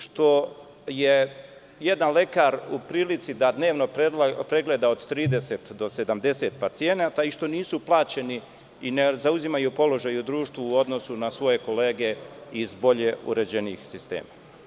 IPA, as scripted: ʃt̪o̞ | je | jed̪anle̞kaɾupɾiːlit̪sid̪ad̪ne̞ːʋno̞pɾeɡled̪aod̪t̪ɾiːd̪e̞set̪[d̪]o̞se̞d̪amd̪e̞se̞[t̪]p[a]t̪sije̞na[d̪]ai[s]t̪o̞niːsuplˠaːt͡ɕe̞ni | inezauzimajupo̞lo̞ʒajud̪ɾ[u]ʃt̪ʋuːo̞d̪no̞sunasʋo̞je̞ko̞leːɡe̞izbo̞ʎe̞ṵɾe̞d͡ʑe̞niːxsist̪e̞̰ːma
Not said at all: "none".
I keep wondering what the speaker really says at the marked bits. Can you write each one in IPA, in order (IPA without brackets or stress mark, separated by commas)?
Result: d̪, t̪, a, t̪, ʃ, uː